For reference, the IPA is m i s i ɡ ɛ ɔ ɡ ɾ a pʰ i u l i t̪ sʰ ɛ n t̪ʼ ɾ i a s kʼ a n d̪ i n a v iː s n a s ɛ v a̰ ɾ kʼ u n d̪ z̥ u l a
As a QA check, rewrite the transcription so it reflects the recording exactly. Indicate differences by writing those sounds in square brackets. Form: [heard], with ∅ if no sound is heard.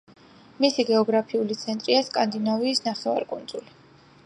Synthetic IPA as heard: m i s i ɡ ɛ ɔ ɡ ɾ a pʰ i u l i t̪ sʰ ɛ n t̪ʼ ɾ i a s kʼ a n d̪ i n a v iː s n a [χ] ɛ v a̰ ɾ kʼ u n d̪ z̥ u l [i]

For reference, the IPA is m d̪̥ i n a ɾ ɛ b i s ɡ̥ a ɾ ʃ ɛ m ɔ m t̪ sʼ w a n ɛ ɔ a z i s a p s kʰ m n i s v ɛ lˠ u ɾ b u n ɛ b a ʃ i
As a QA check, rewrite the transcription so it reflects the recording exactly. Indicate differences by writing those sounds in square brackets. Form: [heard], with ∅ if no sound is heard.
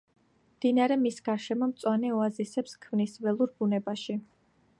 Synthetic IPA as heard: m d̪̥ i n a ɾ ɛ [m] i s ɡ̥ a ɾ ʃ ɛ m ɔ m t̪ sʼ w a n ɛ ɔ a z i s [ɛ] p s kʰ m n i s v ɛ lˠ u ɾ b u n ɛ b a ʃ i

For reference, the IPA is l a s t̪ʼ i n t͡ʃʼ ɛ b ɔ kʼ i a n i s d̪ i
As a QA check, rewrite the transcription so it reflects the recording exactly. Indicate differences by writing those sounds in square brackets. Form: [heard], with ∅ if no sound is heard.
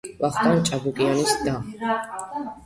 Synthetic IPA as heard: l a [χ] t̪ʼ [a] n t͡ʃʼ [a] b [u] kʼ i a n i s d̪ [a]

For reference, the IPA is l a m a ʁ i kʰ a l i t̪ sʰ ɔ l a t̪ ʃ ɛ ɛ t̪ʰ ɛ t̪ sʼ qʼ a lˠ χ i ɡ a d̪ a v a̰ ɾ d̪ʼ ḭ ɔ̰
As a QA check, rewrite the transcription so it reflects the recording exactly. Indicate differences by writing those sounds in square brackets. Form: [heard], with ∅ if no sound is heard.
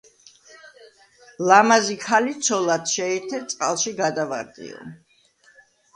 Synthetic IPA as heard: l a m a [z] i kʰ a l i t̪ sʰ ɔ l a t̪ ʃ ɛ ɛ t̪ʰ ɛ t̪ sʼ qʼ a lˠ [ʃ] i ɡ a d̪ a v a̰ ɾ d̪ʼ ḭ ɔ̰

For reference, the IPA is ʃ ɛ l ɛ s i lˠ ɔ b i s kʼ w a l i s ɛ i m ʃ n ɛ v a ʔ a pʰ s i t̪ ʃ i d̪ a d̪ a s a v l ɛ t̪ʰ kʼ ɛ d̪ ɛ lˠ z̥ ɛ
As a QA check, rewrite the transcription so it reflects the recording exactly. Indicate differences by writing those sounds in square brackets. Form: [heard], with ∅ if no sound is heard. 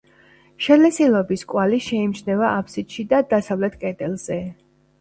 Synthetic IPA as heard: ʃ ɛ l ɛ s i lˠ ɔ b i s kʼ w a l i [ʃ] ɛ i m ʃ n ɛ v a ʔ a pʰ s i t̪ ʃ i d̪ a d̪ a s a v l ɛ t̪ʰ kʼ ɛ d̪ ɛ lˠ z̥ ɛ

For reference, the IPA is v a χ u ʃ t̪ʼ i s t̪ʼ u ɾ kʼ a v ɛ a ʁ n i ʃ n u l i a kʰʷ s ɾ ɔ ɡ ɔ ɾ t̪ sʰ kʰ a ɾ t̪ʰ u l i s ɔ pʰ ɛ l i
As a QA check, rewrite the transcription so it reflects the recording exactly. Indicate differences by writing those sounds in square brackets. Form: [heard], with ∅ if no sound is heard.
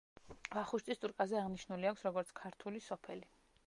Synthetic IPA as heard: v a χ u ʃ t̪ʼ i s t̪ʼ u ɾ kʼ a [z] ɛ a ʁ n i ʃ n u l i a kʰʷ s ɾ ɔ ɡ ɔ ɾ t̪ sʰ kʰ a ɾ t̪ʰ u l i s ɔ pʰ ɛ l i

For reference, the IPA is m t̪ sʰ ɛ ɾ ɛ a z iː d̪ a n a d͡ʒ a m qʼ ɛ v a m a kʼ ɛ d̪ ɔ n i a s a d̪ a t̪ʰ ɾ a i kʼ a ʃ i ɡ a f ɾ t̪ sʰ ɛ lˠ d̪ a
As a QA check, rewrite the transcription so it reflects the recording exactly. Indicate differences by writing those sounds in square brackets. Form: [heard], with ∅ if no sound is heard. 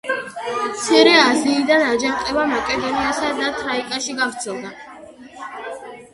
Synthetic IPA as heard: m t̪ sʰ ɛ ɾ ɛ a z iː d̪ a n a d͡ʒ a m qʼ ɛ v a m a kʼ ɛ d̪ ɔ n i a s a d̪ a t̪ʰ ɾ a i kʼ a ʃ i ɡ a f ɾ t̪ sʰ ɛ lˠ d̪ a

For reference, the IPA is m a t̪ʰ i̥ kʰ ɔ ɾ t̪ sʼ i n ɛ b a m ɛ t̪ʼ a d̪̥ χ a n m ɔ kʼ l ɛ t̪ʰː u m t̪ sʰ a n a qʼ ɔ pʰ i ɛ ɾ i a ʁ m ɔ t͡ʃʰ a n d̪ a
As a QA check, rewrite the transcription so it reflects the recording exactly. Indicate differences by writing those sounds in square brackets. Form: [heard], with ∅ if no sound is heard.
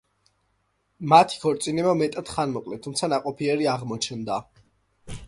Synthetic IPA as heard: m a t̪ʰ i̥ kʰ ɔ ɾ t̪ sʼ i n ɛ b a m ɛ t̪ʼ a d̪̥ χ a n m ɔ kʼ l ɛ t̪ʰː u m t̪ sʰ a n a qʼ ɔ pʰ i ɛ ɾ i a ʁ m ɔ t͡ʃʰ [ɛ] n d̪ a

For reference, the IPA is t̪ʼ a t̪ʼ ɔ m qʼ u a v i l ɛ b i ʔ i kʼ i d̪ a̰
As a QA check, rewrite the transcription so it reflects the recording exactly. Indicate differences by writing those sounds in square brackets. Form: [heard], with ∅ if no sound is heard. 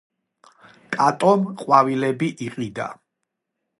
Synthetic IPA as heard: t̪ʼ a t̪ʼ ɔ m qʼ [w] a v i l ɛ b i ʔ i [qʼ] i d̪ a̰

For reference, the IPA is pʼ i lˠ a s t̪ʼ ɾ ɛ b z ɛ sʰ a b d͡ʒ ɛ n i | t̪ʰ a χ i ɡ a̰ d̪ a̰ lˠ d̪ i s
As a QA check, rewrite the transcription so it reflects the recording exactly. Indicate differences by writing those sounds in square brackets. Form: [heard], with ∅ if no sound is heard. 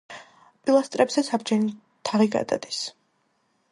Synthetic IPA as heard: pʼ i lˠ a s t̪ʼ ɾ ɛ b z ɛ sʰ a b d͡ʒ ɛ n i | t̪ʰ a [ʁ] i ɡ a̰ d̪ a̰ [∅] d̪ i s

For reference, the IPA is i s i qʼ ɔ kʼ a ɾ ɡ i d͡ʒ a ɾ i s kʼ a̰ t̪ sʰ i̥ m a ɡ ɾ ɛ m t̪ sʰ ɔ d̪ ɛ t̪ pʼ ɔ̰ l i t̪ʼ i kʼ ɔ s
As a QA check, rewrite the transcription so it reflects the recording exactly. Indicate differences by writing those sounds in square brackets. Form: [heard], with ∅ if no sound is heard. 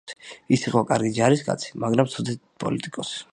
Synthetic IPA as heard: i s i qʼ ɔ kʼ a ɾ ɡ i d͡ʒ a ɾ i s kʼ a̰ t̪ sʰ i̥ m a ɡ ɾ [a] m t̪ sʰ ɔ d̪ ɛ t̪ pʼ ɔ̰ l i t̪ʼ i kʼ ɔ s

